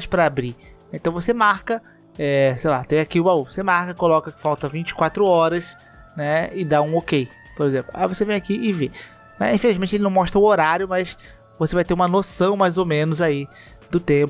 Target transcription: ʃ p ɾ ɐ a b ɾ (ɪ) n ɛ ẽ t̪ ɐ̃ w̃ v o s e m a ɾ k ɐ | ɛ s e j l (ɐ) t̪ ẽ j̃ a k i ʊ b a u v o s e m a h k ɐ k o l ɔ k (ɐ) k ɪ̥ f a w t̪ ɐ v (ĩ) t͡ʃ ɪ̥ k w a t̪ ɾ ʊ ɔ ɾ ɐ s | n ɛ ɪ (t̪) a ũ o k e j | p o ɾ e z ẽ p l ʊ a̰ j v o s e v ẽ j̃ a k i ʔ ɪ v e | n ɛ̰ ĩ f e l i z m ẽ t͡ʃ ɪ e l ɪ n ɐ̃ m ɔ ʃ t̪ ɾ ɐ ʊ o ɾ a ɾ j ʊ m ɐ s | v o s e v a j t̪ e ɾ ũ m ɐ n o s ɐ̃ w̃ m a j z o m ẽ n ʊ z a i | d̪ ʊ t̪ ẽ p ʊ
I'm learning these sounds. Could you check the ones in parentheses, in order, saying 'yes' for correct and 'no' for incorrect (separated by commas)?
no, no, yes, yes, no